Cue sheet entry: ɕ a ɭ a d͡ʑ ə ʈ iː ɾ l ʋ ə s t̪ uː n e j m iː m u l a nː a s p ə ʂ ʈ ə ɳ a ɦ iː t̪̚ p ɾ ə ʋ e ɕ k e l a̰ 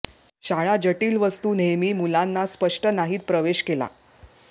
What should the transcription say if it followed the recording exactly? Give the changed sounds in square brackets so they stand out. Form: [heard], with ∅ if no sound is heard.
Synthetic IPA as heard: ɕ a ɭ a d͡ʑ ə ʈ iː [∅] l ʋ ə s t̪ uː n e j m iː m u l a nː a s p ə ʂ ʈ ə [n] a ɦ iː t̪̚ p ɾ ə ʋ e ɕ k e l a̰